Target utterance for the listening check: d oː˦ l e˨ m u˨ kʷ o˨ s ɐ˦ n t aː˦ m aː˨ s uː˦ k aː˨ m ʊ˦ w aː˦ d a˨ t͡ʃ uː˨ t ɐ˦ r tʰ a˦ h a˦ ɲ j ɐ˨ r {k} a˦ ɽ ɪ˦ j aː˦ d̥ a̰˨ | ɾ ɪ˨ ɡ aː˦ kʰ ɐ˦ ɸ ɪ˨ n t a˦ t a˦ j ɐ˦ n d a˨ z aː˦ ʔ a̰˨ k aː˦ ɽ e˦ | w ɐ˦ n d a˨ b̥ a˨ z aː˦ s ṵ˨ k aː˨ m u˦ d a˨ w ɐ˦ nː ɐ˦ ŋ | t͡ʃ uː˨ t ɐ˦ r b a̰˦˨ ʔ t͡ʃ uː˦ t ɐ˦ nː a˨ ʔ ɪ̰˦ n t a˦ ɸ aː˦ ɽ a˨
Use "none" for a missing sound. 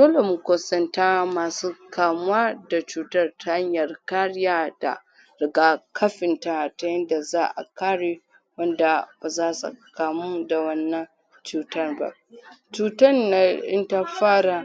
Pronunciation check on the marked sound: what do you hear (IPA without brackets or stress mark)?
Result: k